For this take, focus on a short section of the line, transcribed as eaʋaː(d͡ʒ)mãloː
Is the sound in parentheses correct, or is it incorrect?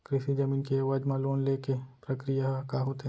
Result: correct